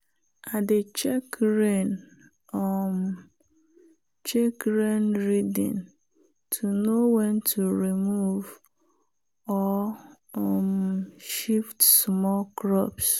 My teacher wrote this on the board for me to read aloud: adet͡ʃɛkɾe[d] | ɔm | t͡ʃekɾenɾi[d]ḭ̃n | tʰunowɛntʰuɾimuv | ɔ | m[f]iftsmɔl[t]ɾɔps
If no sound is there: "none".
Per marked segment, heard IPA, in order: n, d, ʃ, k

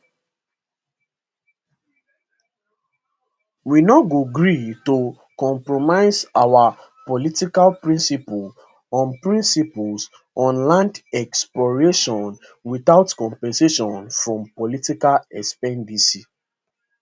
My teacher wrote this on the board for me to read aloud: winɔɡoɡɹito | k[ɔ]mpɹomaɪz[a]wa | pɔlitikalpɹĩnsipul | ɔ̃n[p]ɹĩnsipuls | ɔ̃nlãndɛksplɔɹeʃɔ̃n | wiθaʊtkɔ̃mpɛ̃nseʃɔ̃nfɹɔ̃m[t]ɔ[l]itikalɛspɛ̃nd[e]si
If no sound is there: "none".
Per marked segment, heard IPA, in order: ɔ̃, a, p, p, l, i

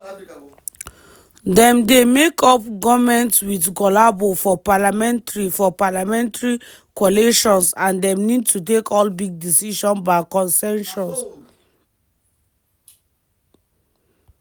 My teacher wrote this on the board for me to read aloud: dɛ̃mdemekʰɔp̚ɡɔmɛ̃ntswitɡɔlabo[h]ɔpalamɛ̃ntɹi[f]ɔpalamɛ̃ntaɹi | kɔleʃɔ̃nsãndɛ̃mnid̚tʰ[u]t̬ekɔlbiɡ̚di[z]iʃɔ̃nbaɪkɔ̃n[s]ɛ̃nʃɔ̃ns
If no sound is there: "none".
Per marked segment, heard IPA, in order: f, f, u, s, s

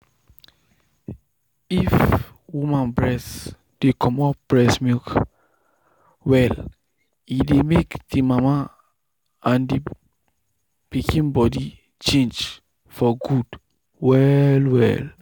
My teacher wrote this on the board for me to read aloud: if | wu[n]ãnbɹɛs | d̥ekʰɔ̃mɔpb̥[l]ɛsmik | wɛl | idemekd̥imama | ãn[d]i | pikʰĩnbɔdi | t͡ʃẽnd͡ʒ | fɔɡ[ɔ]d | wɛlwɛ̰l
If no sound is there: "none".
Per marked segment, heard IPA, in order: m, ɹ, d, u

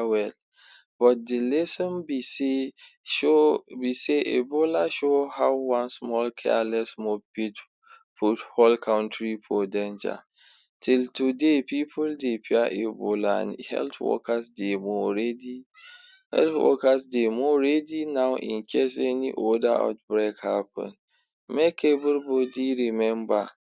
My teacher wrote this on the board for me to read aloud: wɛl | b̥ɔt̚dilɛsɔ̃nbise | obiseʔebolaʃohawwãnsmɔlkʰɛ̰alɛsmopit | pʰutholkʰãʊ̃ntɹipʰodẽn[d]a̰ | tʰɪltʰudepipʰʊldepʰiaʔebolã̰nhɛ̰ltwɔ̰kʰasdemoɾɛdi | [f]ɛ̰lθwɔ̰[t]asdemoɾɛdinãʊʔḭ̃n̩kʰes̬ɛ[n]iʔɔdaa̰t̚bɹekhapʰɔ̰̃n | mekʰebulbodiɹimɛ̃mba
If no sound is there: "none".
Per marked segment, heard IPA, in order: d͡ʒ, h, k, n

